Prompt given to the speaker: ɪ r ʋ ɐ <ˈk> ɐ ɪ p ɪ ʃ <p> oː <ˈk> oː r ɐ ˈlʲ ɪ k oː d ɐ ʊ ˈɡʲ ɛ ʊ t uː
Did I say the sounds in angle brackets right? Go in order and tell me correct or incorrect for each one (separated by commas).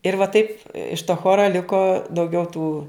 incorrect, incorrect, incorrect